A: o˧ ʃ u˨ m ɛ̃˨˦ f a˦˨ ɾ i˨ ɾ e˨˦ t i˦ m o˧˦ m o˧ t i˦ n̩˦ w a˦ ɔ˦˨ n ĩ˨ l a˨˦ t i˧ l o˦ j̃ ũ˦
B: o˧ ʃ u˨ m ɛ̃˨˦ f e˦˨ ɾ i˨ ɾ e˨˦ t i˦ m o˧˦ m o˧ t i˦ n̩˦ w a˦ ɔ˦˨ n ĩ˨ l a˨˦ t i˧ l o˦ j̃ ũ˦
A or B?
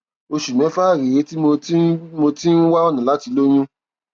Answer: A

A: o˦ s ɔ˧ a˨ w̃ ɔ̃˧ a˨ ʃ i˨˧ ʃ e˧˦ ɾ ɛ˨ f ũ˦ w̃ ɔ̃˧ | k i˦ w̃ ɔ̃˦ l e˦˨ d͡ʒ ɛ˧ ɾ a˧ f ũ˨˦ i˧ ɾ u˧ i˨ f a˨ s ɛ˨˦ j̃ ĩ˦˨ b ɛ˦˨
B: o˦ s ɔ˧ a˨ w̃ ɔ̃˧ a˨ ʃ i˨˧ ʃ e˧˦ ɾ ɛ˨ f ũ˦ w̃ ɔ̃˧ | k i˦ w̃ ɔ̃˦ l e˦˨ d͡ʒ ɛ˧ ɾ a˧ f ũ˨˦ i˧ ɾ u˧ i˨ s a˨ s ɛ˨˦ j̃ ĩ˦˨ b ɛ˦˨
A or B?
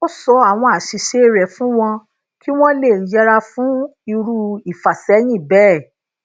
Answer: A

